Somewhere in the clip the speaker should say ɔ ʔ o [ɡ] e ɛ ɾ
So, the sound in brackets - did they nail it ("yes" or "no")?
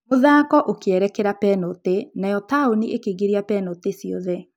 no